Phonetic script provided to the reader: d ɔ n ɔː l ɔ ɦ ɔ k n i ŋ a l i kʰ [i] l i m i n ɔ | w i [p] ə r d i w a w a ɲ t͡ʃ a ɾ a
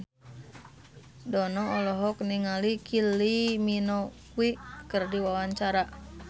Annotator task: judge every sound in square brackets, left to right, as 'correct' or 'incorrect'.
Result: correct, incorrect: k

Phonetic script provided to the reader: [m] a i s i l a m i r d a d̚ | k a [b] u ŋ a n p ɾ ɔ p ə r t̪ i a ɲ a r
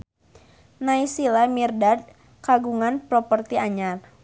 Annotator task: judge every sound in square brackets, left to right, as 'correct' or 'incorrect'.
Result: incorrect: n, incorrect: ɡ

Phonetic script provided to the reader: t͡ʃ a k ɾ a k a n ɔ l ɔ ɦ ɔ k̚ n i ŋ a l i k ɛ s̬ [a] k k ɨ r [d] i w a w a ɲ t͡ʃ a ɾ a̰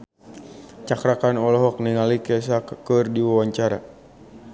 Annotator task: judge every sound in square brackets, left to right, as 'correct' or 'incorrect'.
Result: correct, correct

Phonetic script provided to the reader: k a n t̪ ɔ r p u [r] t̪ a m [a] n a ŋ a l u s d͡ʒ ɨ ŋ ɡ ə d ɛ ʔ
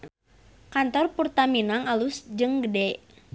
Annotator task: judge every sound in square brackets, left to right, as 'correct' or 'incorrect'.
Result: correct, incorrect: i

